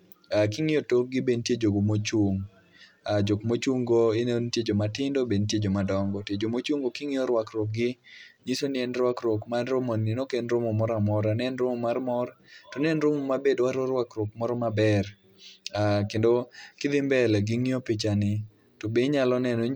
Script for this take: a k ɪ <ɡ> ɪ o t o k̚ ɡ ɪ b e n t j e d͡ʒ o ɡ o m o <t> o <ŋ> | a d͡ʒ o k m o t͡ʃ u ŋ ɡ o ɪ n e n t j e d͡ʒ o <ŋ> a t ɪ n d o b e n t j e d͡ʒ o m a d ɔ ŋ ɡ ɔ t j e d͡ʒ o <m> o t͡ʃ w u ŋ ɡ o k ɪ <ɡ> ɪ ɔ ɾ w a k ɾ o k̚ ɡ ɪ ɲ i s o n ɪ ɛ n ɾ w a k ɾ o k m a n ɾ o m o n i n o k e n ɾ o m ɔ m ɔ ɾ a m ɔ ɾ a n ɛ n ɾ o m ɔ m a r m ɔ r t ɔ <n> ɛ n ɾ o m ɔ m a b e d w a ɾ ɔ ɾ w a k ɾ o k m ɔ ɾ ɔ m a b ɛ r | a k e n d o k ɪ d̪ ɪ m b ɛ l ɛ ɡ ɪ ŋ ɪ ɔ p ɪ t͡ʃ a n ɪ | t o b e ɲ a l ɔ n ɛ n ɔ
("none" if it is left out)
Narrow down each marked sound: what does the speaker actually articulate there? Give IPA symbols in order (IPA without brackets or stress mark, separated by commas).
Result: ŋ, t͡ʃ, ŋ, m, m, ŋ, n